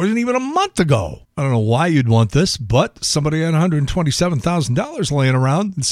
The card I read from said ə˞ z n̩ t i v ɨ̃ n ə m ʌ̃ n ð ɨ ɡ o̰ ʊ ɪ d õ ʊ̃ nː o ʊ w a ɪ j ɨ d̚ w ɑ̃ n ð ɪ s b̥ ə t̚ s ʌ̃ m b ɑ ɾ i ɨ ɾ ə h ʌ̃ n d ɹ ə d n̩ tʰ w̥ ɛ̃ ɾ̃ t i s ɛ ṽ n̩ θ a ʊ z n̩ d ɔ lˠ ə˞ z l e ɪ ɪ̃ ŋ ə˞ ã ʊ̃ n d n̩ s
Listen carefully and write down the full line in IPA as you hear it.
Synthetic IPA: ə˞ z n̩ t i v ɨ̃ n ə m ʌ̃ n θ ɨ ɡ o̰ ʊ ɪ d õ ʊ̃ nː o ʊ w a ɪ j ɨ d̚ w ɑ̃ n ð ɪ s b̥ ʌ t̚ s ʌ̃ m b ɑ ɾ i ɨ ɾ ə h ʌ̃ n d ɹ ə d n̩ tʰ w̥ ɛ̃ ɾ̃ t i s ɛ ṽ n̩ θ a ʊ z n̩ d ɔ lˠ ə˞ z l e ɪ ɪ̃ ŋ ə˞ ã ʊ̃ n d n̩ s